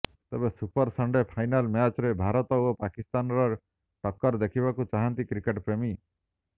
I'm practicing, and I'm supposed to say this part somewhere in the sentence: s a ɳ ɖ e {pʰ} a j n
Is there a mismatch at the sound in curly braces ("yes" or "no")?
no